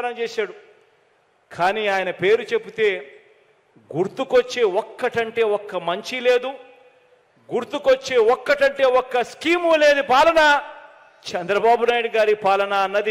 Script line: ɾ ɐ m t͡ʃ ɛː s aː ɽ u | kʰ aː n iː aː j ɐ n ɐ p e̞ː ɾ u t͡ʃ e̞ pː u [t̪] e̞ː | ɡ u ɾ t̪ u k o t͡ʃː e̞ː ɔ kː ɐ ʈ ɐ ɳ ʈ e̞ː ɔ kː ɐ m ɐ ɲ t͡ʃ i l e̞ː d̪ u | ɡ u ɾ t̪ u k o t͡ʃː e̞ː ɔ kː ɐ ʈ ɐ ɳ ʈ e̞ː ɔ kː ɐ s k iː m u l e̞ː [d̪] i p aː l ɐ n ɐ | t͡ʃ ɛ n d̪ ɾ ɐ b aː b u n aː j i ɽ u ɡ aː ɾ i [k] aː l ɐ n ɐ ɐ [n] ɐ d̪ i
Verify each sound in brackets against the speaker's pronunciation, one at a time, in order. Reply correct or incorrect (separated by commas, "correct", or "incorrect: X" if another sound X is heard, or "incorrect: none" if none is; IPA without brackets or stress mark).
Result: correct, correct, incorrect: p, incorrect: nː